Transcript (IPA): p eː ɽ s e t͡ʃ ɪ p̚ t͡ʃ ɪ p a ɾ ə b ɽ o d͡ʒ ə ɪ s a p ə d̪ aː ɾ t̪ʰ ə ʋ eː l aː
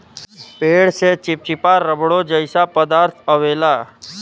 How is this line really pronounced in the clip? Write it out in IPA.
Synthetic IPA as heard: p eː ɽ s e t͡ʃ ɪ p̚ t͡ʃ ɪ p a ɾ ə b ɽ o d͡ʒ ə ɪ s a p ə d̪ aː ɾ t̪ʰ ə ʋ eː l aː

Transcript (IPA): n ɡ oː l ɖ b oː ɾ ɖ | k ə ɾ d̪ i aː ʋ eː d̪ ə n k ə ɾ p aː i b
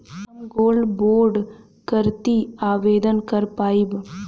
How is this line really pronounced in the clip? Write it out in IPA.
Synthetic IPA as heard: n ɡ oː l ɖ b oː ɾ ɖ | k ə ɾ t̪ i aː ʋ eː d̪ ə n k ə ɾ p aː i b

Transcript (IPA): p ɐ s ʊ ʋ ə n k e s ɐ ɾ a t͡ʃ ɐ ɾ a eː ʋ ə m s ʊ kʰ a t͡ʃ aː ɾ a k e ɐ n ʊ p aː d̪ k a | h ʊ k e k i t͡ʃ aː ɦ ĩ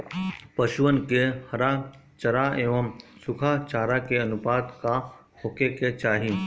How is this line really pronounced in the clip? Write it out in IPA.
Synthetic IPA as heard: p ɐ ʃ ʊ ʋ ə n k e h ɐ ɾ a t͡ʃ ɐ ɾ a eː ʋ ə m s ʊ kʰ a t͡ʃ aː ɾ a k e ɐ n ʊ p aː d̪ k a | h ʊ k e k e t͡ʃ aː ɦ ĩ

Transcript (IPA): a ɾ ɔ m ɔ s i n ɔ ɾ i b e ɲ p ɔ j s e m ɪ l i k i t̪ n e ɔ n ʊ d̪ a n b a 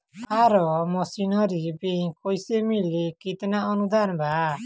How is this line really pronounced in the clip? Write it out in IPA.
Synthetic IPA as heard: a ɾ ɔ m ɔ s i n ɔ ɾ i b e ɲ k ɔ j s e m i l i k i t̪ n a ɔ n u d̪ a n b a

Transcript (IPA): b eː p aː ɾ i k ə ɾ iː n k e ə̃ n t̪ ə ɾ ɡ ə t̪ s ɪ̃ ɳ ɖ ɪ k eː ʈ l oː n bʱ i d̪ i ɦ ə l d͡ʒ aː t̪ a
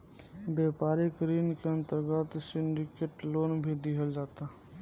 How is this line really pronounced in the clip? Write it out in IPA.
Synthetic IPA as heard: b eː p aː ɾ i k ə ɾ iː n k e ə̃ n t̪ ə ɾ ɡ ə t̪ s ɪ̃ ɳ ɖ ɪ k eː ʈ l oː n bʱ i d̪ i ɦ ə l d͡ʒ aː t̪ a

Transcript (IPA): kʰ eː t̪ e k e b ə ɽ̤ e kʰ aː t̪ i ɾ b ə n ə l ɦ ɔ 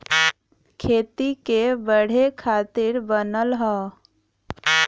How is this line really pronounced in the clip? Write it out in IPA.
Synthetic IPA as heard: kʰ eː t̪ i k e b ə ɽ̤ e kʰ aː t̪ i ɾ b ə n ə l ɦ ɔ

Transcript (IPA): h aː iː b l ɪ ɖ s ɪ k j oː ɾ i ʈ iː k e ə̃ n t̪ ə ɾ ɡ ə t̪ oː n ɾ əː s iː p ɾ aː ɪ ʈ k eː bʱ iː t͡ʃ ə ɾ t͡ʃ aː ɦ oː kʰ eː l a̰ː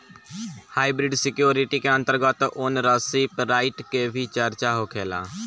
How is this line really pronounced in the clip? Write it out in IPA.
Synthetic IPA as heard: h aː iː b ɾ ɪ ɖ s ɪ k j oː ɾ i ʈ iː k e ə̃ n t̪ ə ɾ ɡ ə t̪ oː n ɾ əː s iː p ɾ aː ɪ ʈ k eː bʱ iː t͡ʃ ə ɾ t͡ʃ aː ɦ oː kʰ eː l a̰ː

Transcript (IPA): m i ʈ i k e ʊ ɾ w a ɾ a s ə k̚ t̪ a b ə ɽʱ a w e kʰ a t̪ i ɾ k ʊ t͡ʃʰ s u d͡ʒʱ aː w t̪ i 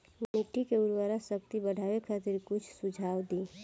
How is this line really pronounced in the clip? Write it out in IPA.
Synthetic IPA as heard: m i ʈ i k e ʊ ɾ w a ɾ a s ə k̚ t̪ i b ə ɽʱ a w e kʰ a t̪ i ɾ k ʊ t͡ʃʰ s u d͡ʒʱ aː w d̪ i

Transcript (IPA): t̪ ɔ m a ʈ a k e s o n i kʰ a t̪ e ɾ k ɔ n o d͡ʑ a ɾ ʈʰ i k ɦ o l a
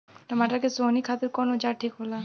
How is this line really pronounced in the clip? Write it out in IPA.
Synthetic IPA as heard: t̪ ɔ m a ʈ a k e s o n i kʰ a t̪ e ɾ k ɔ n o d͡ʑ a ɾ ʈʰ i k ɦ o l a

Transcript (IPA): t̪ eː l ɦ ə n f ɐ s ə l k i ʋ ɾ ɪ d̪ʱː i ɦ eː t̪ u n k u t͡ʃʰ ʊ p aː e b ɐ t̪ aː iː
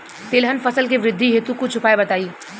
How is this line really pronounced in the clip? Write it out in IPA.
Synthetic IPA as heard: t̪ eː l ɦ ə n f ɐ s ə l k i ʋ ɾ ɪ d̪ʱː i ɦ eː t̪ u k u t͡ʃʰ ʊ p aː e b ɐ t̪ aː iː

